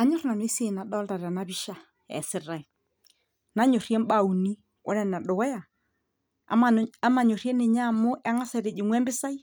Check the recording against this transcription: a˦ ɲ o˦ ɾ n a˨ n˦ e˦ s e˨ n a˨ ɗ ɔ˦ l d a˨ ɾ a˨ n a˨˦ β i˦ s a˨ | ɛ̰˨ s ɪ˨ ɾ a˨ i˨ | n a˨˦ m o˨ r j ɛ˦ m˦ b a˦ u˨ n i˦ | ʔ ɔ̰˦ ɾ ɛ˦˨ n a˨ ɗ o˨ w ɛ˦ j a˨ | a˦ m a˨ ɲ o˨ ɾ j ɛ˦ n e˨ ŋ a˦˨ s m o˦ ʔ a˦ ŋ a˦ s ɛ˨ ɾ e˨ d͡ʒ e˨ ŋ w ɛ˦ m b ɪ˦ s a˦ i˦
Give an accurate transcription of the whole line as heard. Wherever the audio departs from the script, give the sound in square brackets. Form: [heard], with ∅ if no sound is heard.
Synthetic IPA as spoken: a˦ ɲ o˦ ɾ n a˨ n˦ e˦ s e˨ n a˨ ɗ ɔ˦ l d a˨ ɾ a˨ n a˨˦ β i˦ [ʃ] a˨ | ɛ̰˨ s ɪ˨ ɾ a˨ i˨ | n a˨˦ [ɲ] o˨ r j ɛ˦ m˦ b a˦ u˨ n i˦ | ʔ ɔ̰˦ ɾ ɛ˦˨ n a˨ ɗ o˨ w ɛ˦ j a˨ | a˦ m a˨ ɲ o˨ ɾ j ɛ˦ n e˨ [ɲ] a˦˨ [∅] m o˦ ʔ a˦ ŋ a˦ s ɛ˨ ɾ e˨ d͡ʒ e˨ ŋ w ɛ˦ m b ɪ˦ s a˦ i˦